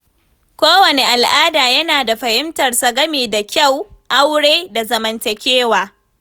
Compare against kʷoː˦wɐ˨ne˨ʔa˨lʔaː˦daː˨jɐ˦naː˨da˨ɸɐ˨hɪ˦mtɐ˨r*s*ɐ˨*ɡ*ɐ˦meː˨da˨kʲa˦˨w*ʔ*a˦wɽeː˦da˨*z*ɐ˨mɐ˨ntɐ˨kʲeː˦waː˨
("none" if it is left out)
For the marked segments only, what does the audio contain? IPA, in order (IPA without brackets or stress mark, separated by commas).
s, ɡ, ʔ, z